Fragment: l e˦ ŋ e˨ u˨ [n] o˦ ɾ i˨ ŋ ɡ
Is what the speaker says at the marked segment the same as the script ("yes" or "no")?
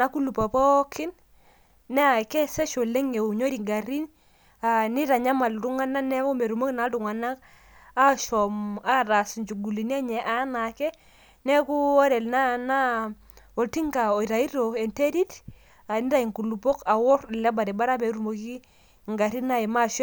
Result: no